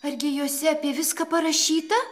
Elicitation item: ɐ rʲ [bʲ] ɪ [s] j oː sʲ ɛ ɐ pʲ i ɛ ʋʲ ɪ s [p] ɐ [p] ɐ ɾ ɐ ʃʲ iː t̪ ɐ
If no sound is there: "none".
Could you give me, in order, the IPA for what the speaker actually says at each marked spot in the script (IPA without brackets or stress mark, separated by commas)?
ɡʲ, none, k, p